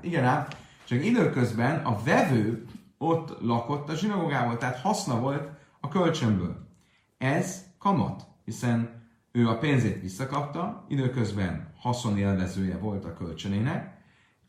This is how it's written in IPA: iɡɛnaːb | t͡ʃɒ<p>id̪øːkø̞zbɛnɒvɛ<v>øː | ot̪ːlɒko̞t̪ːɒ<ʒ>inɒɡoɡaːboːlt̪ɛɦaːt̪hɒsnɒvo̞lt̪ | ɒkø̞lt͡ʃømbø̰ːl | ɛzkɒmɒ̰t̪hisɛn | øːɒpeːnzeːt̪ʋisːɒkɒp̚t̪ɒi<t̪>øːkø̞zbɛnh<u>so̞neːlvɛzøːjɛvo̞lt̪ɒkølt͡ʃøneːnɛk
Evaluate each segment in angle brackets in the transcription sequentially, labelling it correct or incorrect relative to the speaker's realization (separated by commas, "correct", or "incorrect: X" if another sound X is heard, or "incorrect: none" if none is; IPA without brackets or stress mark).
incorrect: k, correct, correct, incorrect: d̪, incorrect: ɒ